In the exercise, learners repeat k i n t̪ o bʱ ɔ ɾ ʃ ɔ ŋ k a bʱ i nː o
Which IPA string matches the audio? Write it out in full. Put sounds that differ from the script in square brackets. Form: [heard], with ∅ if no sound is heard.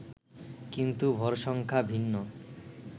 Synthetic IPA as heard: k i n t̪ [u] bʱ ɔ ɾ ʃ ɔ ŋ [kʰ] a bʱ i nː o